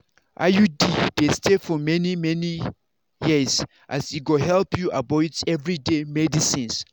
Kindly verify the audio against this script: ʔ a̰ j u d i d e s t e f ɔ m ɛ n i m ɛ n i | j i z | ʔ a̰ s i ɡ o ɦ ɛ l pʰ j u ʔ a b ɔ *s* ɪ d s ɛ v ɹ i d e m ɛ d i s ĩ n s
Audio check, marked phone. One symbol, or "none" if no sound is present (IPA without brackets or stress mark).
none